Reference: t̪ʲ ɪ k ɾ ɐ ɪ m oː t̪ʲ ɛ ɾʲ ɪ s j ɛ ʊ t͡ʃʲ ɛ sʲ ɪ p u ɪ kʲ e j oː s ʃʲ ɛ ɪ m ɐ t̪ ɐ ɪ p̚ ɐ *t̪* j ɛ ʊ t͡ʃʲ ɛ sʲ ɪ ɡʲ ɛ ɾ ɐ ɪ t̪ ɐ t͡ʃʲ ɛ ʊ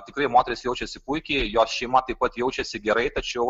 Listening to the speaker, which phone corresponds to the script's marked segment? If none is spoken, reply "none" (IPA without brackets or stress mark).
t̪